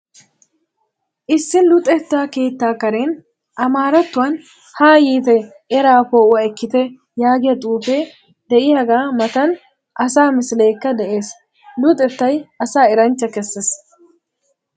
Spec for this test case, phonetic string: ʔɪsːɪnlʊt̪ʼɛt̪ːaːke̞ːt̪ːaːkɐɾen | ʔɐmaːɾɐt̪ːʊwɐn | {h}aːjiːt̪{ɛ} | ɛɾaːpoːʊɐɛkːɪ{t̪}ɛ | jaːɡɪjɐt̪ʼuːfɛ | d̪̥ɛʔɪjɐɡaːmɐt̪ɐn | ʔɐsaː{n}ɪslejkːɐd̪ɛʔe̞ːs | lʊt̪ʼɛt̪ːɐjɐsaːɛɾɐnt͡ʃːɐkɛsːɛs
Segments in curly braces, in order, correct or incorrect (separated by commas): correct, correct, correct, incorrect